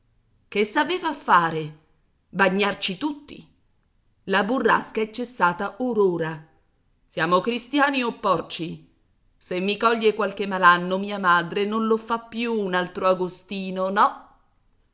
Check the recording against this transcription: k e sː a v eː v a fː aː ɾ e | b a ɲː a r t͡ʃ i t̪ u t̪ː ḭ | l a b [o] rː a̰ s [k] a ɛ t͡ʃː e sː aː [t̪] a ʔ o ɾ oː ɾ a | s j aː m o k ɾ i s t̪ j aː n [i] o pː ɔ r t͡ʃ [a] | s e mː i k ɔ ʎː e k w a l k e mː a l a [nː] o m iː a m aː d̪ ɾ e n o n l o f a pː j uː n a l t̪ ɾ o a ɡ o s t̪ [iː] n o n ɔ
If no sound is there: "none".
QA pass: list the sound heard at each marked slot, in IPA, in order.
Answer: u, k, t̪, i, i, nː, iː

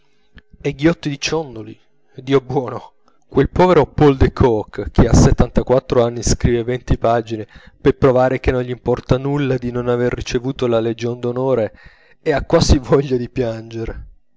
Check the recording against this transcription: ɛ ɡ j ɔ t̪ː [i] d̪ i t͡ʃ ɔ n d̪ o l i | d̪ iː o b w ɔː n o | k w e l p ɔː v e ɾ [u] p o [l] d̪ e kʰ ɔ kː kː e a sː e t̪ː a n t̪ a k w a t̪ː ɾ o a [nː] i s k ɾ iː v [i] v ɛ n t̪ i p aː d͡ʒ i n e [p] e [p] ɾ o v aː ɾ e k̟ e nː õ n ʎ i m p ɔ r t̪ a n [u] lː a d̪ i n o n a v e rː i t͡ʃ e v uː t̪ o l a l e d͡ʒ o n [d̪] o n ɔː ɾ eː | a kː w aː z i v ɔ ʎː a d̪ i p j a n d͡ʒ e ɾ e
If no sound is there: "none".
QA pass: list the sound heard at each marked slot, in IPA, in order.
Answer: i, o, l, nː, e, p, p, u, d̪

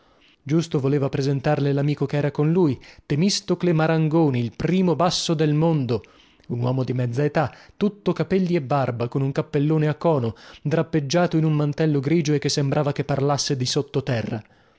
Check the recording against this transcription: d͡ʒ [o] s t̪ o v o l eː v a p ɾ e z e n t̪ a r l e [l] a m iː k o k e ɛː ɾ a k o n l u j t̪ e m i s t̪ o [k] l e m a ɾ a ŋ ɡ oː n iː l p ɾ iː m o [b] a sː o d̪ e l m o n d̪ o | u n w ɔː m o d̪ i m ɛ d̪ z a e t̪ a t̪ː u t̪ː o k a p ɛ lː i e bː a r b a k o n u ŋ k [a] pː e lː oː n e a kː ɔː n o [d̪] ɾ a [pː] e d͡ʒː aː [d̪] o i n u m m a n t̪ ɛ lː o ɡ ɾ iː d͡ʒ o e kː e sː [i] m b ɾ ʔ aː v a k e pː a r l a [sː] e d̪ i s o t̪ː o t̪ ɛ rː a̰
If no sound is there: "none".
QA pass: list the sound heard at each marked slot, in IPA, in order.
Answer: u, l, k, b, a, d̪, pː, t̪, e, sː

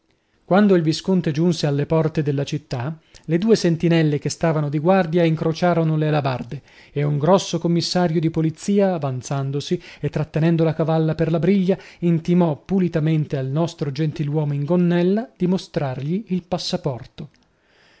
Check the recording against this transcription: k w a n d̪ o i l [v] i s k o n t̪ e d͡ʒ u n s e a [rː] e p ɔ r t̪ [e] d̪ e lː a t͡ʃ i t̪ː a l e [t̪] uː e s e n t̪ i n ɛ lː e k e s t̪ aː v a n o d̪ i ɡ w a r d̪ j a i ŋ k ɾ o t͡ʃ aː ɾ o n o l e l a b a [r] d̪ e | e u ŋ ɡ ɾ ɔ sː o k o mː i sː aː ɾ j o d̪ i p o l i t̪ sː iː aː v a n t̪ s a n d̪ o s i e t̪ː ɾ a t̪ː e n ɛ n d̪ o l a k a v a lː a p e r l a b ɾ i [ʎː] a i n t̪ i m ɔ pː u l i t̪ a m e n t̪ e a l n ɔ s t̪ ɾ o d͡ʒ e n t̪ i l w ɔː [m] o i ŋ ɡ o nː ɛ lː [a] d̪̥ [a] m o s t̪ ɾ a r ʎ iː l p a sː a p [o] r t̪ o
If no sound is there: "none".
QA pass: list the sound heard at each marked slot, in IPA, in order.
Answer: v, lː, e, d̪, r, ʎː, m, a, i, ɔ

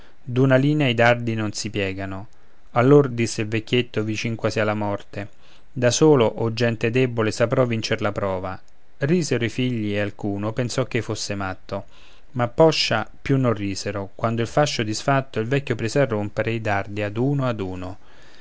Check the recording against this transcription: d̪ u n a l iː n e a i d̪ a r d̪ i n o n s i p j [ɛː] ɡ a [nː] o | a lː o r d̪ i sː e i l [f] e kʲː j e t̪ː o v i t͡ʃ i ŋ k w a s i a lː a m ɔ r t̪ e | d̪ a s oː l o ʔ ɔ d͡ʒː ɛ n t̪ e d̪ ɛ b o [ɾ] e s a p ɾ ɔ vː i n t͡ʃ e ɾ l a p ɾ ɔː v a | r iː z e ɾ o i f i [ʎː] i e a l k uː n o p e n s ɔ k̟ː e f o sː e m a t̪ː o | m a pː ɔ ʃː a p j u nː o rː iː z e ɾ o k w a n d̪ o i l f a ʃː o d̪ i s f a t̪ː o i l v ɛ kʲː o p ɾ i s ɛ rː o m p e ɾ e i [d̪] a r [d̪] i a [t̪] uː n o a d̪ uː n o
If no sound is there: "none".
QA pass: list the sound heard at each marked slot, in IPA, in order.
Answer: ɛː, n, v, l, ʎː, d̪, d̪, d̪

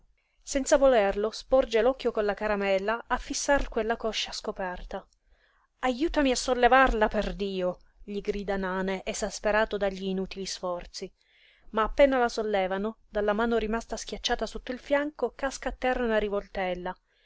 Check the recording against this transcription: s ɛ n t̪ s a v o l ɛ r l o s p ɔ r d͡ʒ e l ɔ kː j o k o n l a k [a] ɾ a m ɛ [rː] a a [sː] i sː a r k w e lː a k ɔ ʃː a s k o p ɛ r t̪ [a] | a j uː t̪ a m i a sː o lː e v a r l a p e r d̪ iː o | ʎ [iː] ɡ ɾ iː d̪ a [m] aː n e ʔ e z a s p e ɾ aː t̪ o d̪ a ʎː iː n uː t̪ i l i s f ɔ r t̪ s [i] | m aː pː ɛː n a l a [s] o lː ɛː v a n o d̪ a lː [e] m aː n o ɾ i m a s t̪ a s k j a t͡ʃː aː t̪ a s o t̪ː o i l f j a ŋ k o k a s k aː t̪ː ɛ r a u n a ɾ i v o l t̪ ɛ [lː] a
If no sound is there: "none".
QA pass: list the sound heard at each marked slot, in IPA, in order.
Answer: a, lː, fː, a, i, n, i, s, a, lː

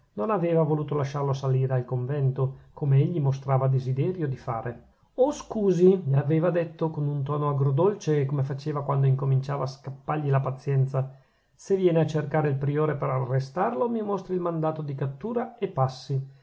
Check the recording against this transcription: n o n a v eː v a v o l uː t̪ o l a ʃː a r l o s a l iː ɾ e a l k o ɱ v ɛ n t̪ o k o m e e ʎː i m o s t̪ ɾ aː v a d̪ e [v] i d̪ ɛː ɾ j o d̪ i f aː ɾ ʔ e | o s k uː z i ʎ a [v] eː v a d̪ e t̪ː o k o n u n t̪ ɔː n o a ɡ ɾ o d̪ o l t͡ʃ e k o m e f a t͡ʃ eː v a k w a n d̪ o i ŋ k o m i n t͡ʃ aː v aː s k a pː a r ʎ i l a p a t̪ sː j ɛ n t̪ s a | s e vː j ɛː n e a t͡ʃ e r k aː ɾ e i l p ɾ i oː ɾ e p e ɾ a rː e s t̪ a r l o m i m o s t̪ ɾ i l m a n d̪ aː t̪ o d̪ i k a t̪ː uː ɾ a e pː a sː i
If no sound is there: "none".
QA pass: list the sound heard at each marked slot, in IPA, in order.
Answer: z, v

